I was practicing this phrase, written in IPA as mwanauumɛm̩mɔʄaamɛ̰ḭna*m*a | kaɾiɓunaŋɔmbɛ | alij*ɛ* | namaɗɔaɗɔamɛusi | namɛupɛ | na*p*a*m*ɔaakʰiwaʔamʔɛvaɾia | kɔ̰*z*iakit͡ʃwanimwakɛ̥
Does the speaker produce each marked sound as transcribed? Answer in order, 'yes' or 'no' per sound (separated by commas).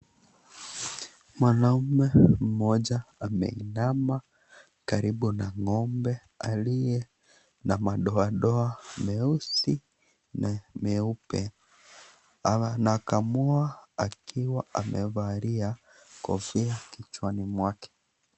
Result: yes, yes, no, yes, no